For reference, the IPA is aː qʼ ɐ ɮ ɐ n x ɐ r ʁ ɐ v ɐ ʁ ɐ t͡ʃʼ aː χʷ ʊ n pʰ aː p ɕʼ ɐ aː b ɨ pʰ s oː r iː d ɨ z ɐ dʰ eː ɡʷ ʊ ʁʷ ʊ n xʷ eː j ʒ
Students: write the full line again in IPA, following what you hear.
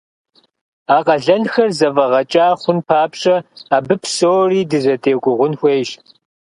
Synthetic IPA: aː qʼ ɐ ɮ ɐ n x ɐ r z ɐ v ɐ ʁ ɐ t͡ʃʼ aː χʷ ʊ n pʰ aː p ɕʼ ɐ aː b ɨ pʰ s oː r iː d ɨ z ɐ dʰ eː ɡʷ ʊ ʁʷ ʊ n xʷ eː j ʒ